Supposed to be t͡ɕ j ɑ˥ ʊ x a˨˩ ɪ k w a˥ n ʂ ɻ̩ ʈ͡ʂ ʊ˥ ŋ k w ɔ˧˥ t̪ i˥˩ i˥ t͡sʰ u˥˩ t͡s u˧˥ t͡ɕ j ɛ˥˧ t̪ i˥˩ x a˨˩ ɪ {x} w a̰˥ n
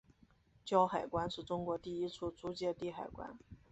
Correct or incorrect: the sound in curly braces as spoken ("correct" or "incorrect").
incorrect